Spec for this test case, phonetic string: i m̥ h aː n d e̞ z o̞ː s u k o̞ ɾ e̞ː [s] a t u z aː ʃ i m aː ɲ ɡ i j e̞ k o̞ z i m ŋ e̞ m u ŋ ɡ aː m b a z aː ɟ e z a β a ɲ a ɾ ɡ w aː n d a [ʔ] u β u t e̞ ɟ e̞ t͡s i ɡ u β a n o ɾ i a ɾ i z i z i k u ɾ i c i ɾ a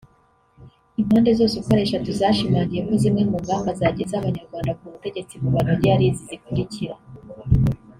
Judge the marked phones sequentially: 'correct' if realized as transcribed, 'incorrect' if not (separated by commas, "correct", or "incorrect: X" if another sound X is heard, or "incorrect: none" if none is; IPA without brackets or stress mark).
incorrect: ʃ, incorrect: k